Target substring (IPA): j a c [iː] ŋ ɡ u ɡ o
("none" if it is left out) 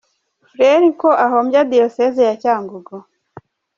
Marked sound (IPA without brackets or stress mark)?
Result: aː